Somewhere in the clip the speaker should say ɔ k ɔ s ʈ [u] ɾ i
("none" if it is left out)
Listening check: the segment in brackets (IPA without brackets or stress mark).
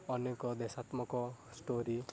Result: o